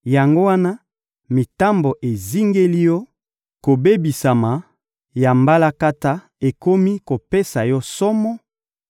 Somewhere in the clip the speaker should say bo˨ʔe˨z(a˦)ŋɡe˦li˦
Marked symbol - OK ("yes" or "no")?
no